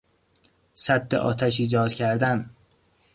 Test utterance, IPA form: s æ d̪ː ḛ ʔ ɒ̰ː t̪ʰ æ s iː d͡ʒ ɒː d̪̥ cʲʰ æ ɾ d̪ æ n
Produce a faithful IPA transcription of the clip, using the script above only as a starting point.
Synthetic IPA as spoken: s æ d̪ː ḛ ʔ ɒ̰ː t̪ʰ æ ʃ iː d͡ʒ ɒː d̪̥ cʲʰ æ ɾ d̪ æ n